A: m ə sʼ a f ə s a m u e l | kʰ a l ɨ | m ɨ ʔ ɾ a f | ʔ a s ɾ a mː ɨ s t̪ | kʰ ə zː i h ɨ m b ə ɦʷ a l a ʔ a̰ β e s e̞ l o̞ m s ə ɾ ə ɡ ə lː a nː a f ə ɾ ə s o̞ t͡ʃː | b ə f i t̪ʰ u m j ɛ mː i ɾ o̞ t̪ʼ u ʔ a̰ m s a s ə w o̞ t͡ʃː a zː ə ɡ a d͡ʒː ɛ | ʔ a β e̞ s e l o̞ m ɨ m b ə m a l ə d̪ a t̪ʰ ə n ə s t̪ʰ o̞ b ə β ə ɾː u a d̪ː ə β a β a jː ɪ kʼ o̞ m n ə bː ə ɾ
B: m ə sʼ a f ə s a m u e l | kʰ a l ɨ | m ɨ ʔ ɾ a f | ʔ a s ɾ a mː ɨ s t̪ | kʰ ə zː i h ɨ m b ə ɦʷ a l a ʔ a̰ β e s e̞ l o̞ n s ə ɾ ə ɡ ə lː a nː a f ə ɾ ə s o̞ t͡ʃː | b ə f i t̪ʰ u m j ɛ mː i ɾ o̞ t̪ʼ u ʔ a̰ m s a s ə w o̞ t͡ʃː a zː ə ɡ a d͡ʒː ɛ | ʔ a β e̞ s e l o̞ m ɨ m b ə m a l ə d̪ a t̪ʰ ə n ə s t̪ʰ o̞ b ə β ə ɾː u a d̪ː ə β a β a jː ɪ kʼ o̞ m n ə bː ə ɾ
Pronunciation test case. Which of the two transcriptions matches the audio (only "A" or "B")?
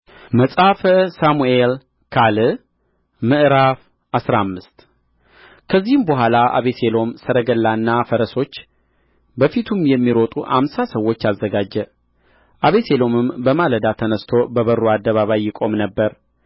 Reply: A